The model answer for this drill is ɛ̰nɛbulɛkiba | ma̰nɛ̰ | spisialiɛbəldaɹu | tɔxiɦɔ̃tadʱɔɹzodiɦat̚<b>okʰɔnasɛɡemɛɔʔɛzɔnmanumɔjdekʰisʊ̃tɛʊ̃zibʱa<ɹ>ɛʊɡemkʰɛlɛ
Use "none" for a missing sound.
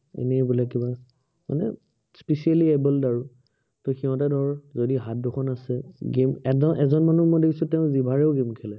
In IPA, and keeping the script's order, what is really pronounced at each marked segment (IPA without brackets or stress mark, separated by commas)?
d, ɹ